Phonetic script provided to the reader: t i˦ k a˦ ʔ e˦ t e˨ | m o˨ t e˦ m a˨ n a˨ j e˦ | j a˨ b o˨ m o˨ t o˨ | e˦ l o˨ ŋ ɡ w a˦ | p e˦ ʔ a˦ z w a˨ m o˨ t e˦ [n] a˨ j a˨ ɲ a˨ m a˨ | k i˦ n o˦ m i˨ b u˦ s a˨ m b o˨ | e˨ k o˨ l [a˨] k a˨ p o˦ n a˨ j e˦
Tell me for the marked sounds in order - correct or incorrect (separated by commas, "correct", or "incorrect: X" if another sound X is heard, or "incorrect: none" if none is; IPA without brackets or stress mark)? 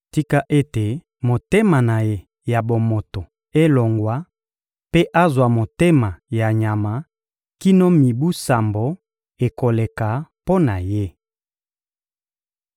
incorrect: m, incorrect: e˨